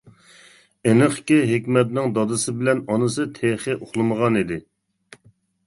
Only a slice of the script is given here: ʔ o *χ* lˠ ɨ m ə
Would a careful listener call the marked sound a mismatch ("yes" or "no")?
no